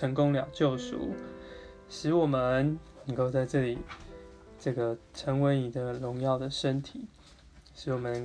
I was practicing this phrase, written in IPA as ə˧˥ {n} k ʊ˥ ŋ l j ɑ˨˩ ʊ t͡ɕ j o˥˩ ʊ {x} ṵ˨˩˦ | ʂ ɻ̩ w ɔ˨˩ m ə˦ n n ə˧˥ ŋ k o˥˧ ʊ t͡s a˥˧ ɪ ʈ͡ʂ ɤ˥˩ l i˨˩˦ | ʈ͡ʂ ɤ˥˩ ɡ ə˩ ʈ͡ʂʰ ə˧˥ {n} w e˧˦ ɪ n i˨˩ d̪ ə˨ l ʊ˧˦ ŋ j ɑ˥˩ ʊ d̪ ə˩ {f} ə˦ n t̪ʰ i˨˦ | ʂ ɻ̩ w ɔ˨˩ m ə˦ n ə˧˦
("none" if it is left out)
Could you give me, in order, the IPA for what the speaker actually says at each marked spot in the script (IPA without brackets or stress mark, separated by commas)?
ŋ, ʂ, ŋ, ʂ